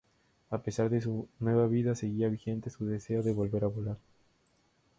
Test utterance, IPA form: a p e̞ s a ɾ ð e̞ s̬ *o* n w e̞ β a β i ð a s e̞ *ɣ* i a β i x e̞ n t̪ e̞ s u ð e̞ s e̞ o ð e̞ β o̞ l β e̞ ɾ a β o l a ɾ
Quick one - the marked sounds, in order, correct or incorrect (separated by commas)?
incorrect, correct